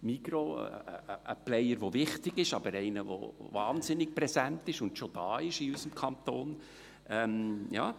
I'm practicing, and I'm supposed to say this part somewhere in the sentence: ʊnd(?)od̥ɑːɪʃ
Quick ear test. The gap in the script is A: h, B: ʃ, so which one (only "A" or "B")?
B